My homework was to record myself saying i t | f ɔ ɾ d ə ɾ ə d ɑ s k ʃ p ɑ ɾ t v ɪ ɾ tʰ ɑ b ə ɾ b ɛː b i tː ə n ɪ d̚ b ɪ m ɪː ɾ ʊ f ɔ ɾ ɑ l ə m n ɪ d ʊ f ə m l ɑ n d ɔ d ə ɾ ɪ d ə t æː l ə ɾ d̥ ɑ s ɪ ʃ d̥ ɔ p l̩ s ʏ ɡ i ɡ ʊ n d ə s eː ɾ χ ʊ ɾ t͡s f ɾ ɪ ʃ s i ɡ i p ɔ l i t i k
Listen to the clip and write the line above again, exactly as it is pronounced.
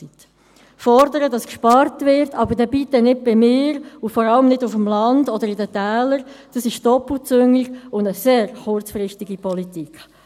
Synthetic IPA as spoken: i t | f ɔ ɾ d ə ɾ ə d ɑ s k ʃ p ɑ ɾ t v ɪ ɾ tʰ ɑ b ə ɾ d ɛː b i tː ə n ɪ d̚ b ɪ m ɪː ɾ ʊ f ɔ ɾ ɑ l ə m n ɪ d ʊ f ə m l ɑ n d ɔ d ə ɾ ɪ d ə t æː l ə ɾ d̥ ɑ s ɪ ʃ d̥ ɔ p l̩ t͡s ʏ ŋ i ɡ ʊ n d ə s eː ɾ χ ʊ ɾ t͡s f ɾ ɪ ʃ t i ɡ i p ɔ l i t i k